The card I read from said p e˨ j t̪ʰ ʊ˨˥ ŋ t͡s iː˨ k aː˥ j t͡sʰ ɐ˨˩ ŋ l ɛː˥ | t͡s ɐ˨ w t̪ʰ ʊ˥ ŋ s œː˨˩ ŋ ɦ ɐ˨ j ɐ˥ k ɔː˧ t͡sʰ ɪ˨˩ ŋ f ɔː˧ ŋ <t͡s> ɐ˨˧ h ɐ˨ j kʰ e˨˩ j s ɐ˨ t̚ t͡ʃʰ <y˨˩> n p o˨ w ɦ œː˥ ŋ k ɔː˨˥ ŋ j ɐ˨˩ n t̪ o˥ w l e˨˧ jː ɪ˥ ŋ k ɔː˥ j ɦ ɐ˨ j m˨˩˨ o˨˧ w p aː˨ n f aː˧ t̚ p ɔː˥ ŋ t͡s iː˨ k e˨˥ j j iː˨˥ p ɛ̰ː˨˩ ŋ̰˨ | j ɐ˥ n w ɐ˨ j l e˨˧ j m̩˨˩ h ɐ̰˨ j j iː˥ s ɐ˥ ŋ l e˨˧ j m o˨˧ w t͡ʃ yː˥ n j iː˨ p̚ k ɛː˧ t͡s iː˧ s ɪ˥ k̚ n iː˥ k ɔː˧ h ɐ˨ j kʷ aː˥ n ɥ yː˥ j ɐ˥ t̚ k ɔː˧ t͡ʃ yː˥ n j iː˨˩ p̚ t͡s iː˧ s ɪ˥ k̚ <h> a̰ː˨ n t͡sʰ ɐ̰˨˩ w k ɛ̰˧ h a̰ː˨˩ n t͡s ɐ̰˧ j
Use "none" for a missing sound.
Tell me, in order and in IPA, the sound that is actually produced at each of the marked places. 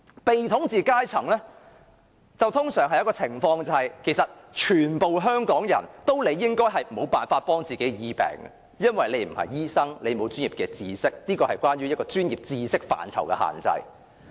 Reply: t͡s, yː˨˩, f

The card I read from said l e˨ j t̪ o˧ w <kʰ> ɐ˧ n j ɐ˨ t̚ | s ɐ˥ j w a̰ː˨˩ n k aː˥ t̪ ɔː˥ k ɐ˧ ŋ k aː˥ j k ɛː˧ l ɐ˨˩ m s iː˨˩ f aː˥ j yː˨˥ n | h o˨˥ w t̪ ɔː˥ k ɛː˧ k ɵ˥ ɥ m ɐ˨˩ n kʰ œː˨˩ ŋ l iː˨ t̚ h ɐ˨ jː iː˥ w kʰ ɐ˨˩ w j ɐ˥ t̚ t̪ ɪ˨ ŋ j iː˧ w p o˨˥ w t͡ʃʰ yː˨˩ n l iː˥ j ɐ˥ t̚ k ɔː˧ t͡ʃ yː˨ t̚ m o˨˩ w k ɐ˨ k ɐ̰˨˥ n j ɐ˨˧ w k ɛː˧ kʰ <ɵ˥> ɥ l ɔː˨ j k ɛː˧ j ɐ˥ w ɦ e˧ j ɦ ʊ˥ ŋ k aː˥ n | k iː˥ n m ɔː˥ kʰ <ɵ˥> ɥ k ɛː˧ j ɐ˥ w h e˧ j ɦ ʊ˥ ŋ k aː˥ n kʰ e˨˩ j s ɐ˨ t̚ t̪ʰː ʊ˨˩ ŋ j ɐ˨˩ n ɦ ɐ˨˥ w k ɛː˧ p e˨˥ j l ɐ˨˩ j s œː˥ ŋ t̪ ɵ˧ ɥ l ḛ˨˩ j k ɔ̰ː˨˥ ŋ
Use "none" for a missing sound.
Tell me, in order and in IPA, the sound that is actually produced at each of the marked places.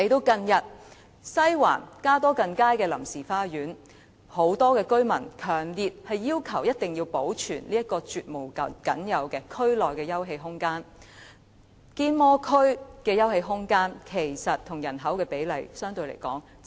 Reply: k, ɵ˥, ɵ˥

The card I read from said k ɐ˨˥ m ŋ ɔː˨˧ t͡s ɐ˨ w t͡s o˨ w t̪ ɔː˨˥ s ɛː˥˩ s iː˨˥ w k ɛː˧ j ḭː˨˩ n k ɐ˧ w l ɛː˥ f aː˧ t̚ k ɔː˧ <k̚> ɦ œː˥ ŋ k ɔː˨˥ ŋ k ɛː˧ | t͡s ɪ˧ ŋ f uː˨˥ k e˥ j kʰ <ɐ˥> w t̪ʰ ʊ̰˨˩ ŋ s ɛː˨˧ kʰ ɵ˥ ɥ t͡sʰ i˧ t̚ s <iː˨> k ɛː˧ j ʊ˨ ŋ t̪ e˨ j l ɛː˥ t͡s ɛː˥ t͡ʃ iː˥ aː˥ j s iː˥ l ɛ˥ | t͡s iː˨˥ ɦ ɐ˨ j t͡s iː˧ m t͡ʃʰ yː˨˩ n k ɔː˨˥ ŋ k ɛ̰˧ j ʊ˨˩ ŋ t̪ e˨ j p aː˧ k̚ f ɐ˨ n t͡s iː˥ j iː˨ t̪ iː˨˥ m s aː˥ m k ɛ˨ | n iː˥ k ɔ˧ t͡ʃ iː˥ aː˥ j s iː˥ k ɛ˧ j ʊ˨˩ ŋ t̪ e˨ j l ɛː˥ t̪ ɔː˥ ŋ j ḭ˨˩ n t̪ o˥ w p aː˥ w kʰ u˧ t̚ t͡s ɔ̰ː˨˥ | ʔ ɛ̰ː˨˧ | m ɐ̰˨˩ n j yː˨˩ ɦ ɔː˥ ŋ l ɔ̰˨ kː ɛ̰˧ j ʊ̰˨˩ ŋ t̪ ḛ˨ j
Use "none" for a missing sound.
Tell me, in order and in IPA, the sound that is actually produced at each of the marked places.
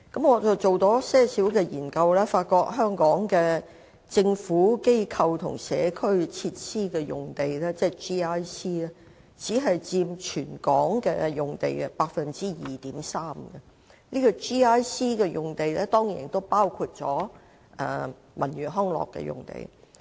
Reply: k̚, ɐ˧, iː˥

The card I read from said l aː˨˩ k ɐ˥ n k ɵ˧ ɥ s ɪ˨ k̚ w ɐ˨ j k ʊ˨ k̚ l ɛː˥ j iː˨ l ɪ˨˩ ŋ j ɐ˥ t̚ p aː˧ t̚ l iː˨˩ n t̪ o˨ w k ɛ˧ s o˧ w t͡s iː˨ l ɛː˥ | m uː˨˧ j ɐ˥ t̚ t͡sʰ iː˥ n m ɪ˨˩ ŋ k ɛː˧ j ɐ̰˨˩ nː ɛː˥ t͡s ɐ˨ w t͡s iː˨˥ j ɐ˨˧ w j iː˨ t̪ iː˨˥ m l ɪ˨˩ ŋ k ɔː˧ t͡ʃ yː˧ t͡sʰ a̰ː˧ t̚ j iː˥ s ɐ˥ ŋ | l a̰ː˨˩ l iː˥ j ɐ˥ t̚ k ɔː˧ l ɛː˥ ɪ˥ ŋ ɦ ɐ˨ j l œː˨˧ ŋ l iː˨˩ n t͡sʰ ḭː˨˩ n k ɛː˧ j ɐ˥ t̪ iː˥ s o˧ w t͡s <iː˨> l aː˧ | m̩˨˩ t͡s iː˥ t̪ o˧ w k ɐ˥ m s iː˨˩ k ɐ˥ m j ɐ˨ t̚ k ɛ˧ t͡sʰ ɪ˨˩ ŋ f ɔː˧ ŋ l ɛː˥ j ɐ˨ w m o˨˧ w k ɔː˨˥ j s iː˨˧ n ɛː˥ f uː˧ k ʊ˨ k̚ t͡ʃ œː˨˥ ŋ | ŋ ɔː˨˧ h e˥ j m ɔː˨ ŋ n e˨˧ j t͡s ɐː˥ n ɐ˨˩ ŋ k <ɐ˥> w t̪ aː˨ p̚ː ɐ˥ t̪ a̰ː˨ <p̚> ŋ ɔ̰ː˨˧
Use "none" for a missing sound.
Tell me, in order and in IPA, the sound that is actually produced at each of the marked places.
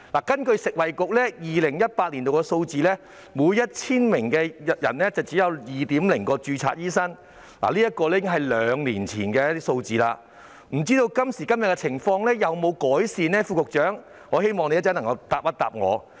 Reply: iː˨, ɐ˧, p̚

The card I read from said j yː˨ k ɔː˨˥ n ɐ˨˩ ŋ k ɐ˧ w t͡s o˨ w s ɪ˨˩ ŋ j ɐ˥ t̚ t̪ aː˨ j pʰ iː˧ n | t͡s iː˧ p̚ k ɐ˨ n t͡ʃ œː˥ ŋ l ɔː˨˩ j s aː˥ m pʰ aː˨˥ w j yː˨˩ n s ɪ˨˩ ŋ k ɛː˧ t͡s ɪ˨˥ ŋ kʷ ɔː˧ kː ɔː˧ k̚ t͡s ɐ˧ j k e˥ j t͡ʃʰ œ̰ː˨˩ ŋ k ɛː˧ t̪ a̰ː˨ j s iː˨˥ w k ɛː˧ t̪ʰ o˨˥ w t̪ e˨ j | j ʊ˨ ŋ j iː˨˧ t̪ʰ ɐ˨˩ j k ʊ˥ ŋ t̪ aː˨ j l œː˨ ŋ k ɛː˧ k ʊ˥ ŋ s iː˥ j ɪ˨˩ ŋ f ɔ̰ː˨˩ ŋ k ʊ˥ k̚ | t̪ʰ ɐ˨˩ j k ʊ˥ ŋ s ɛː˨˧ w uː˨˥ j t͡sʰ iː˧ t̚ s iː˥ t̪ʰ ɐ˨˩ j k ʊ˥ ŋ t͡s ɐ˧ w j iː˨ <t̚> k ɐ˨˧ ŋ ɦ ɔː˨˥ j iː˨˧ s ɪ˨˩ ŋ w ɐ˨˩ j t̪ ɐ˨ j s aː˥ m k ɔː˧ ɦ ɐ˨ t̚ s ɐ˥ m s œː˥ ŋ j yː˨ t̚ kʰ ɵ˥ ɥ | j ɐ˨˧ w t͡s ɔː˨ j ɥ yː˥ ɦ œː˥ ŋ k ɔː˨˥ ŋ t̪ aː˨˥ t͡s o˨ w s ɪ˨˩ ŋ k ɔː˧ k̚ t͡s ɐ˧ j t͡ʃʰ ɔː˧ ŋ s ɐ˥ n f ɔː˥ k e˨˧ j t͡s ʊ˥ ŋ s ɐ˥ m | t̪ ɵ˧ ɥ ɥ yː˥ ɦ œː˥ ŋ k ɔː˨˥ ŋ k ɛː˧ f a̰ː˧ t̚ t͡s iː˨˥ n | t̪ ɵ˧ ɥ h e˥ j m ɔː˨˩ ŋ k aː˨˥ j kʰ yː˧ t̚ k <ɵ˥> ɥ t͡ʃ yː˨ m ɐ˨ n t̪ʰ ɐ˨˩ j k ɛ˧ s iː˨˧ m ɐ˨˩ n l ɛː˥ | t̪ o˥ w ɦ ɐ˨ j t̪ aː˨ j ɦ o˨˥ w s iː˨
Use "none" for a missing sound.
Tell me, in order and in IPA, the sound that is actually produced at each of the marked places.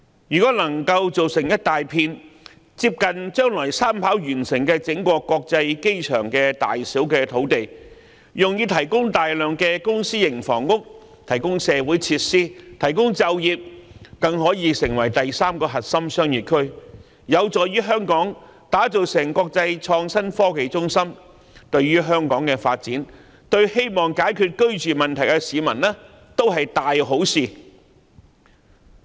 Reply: p̚, ɵ˥

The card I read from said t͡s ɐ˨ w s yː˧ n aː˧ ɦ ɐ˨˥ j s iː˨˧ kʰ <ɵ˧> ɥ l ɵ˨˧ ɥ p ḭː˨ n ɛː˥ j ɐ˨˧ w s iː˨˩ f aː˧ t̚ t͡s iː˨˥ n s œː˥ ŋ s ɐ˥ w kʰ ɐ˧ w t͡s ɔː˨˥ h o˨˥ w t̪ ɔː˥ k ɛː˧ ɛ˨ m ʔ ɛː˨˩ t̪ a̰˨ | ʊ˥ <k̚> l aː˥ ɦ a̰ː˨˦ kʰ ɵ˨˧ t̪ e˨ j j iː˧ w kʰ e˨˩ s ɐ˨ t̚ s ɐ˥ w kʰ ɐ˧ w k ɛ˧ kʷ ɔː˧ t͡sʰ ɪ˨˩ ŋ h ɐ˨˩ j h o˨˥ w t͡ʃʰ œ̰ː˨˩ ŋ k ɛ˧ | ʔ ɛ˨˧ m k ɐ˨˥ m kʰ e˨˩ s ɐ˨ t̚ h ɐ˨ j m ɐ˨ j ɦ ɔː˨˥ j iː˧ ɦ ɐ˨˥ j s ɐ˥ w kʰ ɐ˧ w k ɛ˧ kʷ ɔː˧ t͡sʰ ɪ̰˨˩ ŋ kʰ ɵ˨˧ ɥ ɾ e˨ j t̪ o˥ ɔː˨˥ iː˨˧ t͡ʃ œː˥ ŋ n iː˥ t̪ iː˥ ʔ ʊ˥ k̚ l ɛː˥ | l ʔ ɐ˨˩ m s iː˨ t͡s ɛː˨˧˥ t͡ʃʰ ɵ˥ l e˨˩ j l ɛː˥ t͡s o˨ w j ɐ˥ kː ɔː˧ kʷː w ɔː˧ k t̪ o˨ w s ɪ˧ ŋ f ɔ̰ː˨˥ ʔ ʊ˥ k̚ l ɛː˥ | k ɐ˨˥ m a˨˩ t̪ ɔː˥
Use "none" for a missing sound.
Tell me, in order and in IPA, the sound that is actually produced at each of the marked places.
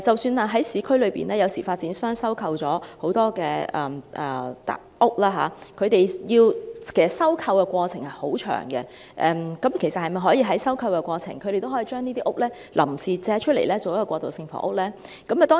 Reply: ɵ˥, k̚

